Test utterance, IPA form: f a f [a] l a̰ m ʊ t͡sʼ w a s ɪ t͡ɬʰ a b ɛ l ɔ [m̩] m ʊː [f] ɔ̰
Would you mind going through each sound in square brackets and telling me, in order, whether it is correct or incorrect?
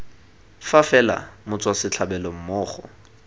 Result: incorrect: ɛ, correct, incorrect: χ

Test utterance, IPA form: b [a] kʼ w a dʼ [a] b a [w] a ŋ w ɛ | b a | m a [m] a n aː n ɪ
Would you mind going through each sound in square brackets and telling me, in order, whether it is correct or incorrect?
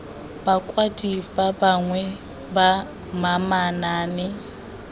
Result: correct, incorrect: i, incorrect: b, correct

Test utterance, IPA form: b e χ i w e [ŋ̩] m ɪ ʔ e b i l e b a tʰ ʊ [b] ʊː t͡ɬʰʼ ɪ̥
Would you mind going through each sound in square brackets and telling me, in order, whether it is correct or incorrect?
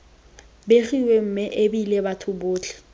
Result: incorrect: m̩, correct

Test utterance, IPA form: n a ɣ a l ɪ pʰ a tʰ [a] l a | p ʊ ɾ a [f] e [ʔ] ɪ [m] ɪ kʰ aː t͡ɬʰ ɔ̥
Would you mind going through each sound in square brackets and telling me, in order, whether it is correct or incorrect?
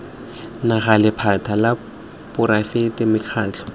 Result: correct, correct, incorrect: t, correct

